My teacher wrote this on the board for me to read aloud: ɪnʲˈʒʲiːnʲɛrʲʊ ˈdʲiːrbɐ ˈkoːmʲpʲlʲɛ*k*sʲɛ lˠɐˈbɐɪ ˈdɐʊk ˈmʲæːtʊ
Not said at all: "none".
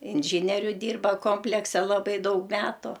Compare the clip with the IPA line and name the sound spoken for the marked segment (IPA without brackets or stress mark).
k